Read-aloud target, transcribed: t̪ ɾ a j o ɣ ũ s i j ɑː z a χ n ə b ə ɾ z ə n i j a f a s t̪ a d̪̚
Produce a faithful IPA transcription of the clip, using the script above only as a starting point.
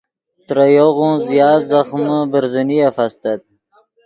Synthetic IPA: t̪ ɾ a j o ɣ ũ z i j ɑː z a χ m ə b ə ɾ z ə n i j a f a s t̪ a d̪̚